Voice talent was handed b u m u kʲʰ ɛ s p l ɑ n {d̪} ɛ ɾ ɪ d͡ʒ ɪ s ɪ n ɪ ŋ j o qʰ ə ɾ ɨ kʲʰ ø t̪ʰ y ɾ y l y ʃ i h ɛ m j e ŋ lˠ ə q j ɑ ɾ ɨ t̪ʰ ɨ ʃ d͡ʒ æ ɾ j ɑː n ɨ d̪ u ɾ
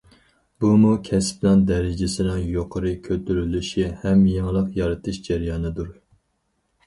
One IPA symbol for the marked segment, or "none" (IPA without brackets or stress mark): d̪